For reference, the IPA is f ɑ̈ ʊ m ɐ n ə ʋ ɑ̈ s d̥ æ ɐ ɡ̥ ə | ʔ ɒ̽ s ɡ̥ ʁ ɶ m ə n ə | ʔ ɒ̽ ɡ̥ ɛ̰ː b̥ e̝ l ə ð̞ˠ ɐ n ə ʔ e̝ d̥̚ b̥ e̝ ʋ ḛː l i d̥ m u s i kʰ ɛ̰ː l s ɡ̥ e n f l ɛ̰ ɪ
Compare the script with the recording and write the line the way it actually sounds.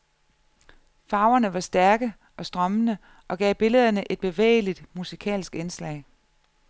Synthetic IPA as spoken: f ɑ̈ ʊ ɐ n ə ʋ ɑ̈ s d̥ æ ɐ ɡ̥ ə | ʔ ɒ̽ s d̥ ʁ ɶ m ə n ə | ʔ ɒ̽ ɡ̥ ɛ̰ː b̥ e̝ l ə ð̞ˠ ɐ n ə ʔ e̝ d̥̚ b̥ e̝ ʋ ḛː l i d̥ m u s i kʰ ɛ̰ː l s ɡ̥ e n s l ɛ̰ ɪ